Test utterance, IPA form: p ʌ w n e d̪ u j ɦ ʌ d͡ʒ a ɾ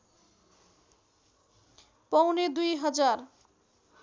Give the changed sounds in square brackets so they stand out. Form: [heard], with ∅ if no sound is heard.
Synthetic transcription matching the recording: p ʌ w n e d̪ u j ɦ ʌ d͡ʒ a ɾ